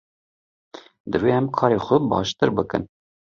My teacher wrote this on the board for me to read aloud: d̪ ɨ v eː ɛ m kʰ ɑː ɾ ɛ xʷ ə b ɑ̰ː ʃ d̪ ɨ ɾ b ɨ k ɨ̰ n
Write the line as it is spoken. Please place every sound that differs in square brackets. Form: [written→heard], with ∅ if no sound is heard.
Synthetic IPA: d̪ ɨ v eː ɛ m kʰ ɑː ɾ [ɛ→e] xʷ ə b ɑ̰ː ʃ [d̪→t̪] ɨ ɾ b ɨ k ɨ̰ n